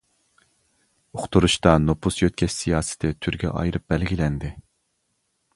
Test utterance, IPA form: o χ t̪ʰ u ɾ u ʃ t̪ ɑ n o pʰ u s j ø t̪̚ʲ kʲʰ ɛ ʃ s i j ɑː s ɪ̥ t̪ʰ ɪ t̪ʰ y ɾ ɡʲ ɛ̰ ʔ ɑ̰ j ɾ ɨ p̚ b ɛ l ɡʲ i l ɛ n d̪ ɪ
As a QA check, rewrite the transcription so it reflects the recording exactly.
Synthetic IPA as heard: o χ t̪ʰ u ɾ u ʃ t̪ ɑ n o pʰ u s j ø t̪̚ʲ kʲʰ ɛ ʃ s i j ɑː s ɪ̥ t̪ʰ ɪ t̪ʰ y ɾ ɡʲ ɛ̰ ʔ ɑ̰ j ɾ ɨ p̚ b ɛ l ɡʲ i l ɛ n d̪ ɪ